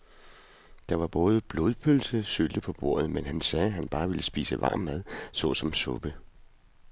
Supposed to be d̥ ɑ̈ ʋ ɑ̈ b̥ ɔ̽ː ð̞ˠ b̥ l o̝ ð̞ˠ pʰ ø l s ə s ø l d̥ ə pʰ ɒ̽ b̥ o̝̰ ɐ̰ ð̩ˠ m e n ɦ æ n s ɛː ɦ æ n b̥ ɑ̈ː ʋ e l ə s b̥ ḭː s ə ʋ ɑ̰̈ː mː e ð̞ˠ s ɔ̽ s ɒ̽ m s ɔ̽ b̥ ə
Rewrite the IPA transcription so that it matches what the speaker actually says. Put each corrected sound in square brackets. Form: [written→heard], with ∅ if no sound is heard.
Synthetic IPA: d̥ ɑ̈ ʋ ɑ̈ b̥ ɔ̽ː ð̞ˠ b̥ l o̝ ð̞ˠ pʰ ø l s ə s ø l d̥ ə pʰ ɒ̽ b̥ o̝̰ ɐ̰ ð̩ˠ m e n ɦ æ n s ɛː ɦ æ n b̥ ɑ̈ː ʋ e l ə s b̥ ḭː s ə ʋ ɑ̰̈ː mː [e→æ] ð̞ˠ s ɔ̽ s ɒ̽ m s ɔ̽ b̥ ə